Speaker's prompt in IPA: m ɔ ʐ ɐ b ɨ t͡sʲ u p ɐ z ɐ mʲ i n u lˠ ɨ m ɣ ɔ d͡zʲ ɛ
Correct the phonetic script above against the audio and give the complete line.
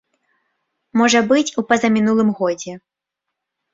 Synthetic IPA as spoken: m ɔ ʐ ɐ b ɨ t͡sʲ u p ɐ z ɐ mʲ i n u lˠ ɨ m ɣ ɔ d͡zʲ ɛ